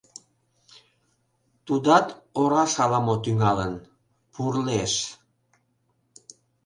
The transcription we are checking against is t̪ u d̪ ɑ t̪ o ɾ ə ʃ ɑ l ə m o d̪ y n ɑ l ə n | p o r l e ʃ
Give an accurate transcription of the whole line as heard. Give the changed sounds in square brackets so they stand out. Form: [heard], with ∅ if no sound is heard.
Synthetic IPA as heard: t̪ u d̪ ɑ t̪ o ɾ [ɑ] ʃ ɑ l [ɑ] m o [t̪] y [ŋ] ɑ l ə n | p [u] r l e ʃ